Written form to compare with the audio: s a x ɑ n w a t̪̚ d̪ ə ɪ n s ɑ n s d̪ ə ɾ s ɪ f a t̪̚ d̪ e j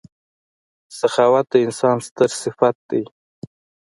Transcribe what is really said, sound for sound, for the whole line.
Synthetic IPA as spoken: s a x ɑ w a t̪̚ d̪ ə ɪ n s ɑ n s t̪ ə ɾ s ɪ f a t̪̚ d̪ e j